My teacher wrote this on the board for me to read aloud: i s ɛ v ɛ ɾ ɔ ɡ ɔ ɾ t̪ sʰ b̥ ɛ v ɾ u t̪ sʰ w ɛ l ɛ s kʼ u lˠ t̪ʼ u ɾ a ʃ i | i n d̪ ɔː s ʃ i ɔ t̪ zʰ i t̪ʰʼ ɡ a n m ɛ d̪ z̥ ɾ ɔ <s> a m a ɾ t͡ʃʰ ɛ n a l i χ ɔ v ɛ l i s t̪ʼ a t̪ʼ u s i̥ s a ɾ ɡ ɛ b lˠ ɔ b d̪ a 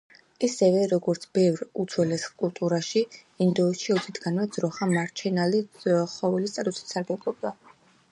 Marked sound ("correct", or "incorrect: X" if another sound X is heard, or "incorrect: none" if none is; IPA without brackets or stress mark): incorrect: χ